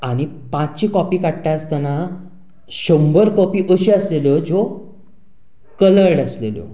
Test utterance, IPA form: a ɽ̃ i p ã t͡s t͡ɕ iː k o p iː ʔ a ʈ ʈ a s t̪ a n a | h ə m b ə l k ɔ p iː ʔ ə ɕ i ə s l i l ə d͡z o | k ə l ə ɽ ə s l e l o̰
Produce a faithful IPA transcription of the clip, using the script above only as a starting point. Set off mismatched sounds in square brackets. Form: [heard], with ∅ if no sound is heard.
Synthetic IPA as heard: a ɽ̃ i p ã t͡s t͡ɕ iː k [ɔ] p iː [k] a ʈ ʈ a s t̪ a n a | [ɕ] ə m b ə [ɾ] k ɔ p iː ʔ ə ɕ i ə s l [e] l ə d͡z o | k ə l ə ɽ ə s l e l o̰